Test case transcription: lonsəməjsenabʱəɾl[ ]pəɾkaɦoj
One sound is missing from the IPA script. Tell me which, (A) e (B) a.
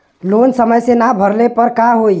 A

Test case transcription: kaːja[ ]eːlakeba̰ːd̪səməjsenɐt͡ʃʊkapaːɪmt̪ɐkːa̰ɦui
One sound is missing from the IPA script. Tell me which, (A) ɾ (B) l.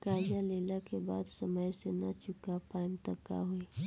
B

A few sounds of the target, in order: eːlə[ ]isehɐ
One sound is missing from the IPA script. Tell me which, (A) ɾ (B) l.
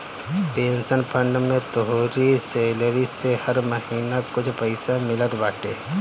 A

